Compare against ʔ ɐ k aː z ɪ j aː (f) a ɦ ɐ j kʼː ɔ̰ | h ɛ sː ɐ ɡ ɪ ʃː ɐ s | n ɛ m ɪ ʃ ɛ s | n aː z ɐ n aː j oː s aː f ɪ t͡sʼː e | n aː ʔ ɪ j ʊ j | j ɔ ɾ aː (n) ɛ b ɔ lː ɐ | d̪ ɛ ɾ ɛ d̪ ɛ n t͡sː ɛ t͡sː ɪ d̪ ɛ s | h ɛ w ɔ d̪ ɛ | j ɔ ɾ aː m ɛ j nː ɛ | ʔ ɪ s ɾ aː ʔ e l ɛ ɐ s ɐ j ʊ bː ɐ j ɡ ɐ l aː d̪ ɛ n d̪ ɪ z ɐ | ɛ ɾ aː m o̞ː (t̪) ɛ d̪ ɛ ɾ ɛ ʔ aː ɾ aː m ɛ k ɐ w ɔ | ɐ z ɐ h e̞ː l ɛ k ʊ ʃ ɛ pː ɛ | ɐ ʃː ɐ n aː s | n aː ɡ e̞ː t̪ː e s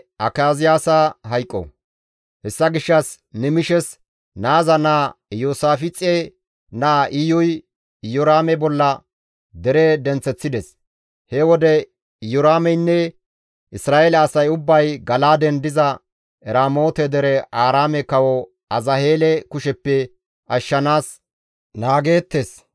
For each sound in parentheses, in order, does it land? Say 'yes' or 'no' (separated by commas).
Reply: no, no, yes